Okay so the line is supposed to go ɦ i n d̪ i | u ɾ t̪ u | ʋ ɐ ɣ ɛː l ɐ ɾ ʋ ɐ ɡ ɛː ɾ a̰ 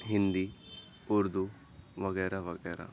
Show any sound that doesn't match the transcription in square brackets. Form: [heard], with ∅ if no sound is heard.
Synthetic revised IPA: ɦ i n d̪ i | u ɾ [d̪] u | ʋ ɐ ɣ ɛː [ɾ] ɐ [∅] ʋ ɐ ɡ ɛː ɾ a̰